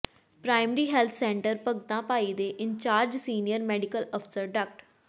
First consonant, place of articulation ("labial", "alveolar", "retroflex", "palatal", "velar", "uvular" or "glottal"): labial